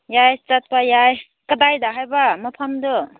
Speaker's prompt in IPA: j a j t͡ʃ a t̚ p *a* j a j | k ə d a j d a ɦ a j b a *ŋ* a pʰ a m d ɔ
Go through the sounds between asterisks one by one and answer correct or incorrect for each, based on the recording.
correct, incorrect: m

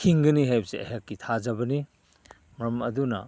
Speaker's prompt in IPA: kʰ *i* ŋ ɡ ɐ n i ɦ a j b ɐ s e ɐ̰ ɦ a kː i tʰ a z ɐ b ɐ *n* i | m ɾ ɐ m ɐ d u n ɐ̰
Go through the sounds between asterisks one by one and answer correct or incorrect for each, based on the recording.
correct, correct

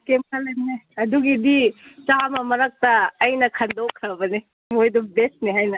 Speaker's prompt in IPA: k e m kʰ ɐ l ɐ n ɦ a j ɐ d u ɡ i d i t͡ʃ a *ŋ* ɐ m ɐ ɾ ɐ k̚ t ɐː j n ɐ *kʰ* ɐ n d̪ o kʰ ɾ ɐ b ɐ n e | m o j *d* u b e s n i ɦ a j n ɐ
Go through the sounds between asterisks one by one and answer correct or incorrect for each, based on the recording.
incorrect: m, correct, correct

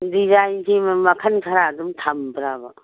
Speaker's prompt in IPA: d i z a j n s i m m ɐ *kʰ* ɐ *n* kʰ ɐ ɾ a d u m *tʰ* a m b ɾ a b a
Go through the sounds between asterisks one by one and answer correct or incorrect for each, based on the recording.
correct, correct, correct

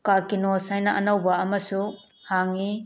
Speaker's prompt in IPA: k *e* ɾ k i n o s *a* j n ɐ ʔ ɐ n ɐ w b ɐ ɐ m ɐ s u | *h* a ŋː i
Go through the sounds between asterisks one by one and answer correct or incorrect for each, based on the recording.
incorrect: a, correct, correct

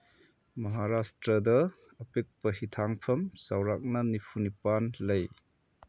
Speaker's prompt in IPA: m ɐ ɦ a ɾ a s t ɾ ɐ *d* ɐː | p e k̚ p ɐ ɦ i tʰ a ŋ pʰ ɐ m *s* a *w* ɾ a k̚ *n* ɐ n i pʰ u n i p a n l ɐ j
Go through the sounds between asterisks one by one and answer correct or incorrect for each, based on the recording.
correct, correct, correct, correct

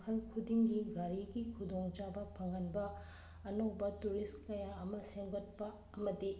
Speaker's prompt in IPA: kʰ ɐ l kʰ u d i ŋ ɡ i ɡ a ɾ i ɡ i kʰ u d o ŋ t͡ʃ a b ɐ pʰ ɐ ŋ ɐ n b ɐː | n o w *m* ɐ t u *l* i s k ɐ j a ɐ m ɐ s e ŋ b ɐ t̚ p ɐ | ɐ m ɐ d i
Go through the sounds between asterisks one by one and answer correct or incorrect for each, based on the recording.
incorrect: b, incorrect: ɾ

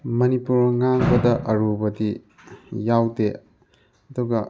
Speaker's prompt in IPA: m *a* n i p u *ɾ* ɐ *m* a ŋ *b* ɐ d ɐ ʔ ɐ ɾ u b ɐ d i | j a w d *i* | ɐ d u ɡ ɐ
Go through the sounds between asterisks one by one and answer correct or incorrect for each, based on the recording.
incorrect: ɐ, correct, incorrect: ŋ, correct, incorrect: e

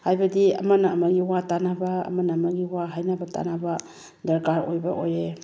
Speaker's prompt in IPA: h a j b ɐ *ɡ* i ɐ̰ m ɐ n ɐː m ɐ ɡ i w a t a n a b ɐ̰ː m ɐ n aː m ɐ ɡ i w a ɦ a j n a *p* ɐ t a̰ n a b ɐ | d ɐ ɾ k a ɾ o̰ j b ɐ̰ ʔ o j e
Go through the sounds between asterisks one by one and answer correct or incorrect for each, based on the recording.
incorrect: d, incorrect: b

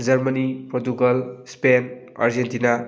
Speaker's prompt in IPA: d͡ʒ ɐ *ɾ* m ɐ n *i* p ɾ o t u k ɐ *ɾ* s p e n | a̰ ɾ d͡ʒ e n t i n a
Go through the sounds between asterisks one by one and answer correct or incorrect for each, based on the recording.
correct, correct, incorrect: l

